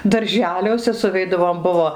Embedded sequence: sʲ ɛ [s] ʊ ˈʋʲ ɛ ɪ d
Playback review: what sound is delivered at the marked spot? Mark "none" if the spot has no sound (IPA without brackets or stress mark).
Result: s